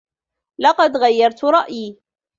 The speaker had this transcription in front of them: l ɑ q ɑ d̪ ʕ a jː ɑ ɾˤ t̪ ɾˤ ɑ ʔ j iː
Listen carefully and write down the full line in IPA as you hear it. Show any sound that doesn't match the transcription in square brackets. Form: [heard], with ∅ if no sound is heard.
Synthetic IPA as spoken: l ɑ q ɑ d̪ [ɣ] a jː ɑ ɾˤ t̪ ɾˤ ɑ ʔ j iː